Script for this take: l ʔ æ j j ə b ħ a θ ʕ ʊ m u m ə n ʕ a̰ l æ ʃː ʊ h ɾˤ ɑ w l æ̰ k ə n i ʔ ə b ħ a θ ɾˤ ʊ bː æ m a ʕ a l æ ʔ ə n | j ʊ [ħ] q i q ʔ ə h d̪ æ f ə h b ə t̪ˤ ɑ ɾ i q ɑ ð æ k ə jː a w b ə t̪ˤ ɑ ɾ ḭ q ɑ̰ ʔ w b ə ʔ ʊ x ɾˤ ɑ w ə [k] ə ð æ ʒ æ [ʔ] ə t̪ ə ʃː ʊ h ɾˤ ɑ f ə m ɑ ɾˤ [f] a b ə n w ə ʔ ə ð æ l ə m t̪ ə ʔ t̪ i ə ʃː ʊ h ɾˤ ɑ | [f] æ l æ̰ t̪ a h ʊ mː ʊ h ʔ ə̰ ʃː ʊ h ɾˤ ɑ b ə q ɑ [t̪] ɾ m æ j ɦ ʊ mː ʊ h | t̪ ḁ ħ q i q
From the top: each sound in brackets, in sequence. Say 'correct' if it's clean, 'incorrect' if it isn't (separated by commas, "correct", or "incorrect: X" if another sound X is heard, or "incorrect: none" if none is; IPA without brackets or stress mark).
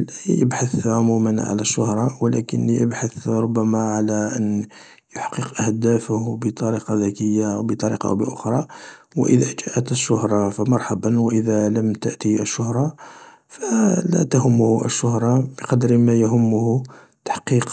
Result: correct, incorrect: ʔ, correct, incorrect: ħ, correct, incorrect: d̪